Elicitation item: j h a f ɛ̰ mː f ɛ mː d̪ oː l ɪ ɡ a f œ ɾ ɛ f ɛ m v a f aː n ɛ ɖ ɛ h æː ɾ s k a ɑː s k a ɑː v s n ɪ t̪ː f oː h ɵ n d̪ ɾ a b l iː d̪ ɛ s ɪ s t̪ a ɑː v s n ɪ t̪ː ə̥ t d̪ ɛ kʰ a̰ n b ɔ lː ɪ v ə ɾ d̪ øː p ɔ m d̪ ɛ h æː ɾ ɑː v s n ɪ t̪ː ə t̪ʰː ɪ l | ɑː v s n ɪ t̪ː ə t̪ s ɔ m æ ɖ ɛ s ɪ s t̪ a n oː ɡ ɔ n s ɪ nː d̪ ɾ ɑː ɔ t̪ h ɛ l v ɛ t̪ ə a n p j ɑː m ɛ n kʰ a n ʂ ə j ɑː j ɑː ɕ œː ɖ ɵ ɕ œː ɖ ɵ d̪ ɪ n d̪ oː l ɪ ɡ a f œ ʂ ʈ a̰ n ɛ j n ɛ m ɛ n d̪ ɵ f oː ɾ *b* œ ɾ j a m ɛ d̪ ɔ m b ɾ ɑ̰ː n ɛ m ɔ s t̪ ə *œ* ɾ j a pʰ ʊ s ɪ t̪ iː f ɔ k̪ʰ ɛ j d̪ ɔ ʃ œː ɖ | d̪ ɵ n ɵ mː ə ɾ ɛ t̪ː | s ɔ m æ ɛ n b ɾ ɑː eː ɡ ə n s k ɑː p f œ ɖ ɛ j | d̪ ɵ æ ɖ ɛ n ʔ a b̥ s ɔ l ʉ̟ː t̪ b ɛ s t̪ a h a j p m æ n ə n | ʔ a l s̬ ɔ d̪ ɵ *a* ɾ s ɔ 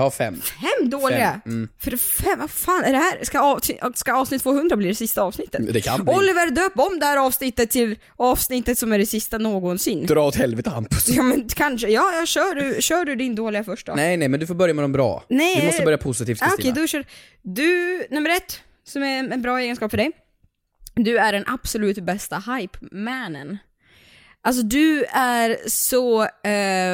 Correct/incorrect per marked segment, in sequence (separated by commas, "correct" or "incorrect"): correct, correct, incorrect